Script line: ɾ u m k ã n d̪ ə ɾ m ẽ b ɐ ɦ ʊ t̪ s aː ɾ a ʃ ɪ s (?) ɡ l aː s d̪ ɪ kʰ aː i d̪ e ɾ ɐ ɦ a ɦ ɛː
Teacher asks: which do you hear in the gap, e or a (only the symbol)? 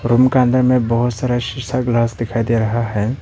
a